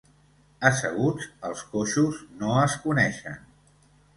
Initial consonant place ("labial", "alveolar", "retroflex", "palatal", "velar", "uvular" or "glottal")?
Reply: alveolar